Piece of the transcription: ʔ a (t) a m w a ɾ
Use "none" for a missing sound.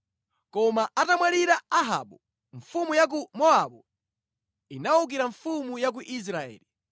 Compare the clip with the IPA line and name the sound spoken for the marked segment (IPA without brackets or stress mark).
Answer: t